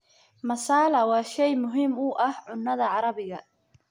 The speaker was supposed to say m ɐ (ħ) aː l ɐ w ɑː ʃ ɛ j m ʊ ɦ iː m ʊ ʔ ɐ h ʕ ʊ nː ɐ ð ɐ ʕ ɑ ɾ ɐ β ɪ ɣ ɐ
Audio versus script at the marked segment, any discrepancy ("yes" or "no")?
yes